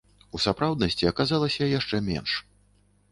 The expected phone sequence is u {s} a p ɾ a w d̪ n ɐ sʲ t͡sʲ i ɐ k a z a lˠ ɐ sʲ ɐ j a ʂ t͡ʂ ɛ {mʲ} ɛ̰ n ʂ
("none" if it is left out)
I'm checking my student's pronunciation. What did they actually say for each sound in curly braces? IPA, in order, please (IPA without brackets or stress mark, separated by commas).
s, mʲ